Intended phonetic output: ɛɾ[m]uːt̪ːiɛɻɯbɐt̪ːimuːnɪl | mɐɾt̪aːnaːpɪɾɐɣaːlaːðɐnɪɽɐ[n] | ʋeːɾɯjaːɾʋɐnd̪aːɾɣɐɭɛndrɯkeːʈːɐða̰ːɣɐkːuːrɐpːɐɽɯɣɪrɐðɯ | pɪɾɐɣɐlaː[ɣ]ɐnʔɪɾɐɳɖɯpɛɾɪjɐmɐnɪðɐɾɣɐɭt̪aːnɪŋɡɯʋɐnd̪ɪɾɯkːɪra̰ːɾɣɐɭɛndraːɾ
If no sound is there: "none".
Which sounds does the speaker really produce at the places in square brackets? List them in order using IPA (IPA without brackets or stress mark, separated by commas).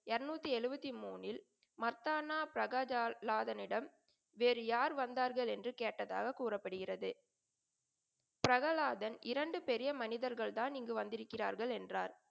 n, m, ð